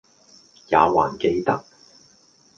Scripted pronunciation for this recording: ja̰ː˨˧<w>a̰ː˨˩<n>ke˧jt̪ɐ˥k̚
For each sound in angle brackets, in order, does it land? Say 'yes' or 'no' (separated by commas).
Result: yes, yes